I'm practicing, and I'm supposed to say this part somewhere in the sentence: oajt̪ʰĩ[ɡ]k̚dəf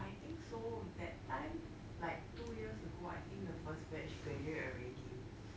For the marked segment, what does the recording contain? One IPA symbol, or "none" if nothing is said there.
ŋ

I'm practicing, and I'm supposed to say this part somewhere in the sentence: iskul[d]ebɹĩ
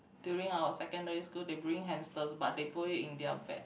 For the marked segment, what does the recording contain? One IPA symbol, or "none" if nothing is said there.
d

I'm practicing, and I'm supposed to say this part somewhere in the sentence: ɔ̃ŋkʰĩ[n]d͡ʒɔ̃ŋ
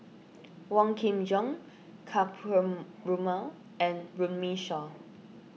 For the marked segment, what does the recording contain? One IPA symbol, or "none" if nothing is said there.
m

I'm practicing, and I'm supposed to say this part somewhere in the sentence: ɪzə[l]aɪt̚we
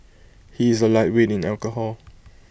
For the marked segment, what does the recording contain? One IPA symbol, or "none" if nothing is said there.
l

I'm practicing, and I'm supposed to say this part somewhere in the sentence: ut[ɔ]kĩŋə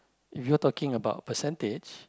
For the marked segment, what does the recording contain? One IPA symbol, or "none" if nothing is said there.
ɔ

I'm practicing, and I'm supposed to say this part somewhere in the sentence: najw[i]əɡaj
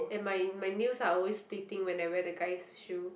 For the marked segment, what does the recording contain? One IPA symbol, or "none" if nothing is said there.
ɛ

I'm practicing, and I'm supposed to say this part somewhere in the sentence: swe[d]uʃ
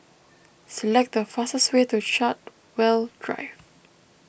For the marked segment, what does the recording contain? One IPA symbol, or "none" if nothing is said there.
t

